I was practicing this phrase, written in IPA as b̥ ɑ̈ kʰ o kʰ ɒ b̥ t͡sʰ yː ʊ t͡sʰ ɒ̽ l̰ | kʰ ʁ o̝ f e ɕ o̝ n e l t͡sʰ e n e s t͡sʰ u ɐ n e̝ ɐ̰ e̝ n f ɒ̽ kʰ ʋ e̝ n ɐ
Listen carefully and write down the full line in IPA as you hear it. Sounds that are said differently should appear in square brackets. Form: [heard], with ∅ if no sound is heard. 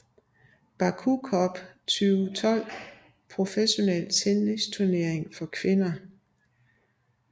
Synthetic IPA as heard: b̥ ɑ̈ kʰ [u] kʰ ɒ b̥ t͡sʰ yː ʊ t͡sʰ ɒ̽ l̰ | [pʰ] ʁ o̝ f e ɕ o̝ n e l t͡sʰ e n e s t͡sʰ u ɐ n e̝ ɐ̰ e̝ [ŋ] f ɒ̽ kʰ ʋ e̝ n ɐ